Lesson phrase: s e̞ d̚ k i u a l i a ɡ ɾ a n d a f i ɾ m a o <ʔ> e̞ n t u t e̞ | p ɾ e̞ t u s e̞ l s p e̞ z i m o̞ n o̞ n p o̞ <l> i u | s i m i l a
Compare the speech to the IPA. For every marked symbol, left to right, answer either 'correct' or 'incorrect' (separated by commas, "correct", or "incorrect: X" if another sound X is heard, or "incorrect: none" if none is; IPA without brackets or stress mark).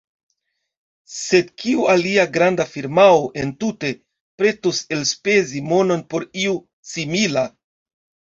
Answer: correct, incorrect: ɾ